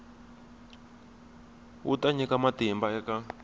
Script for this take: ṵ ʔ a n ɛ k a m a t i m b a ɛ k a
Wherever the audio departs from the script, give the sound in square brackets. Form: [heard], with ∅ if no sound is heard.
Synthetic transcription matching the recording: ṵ [t] a [ɲ] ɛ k a m a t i m b a ɛ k a